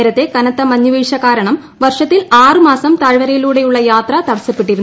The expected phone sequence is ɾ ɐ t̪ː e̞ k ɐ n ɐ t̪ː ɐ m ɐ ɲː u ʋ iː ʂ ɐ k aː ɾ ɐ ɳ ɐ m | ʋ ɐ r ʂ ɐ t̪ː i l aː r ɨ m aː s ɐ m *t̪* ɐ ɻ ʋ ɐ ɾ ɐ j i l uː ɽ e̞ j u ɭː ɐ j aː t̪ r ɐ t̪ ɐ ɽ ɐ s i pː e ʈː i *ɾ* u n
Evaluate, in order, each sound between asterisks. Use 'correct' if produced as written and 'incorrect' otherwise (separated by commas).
correct, correct